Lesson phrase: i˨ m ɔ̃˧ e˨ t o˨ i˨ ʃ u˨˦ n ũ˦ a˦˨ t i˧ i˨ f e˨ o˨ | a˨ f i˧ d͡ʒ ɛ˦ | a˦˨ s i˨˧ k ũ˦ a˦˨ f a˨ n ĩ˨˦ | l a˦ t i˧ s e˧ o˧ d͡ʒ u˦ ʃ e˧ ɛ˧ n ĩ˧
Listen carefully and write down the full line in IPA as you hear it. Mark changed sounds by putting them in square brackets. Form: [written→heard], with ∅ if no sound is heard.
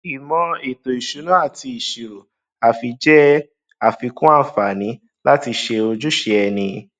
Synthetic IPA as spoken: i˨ m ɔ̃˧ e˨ t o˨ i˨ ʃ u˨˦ n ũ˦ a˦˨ t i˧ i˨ [f→ʃ] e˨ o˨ | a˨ f i˧ d͡ʒ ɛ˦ | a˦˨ [s→f] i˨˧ k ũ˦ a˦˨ f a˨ n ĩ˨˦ | l a˦ t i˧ [s→ʃ] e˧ o˧ d͡ʒ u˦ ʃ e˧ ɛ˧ n ĩ˧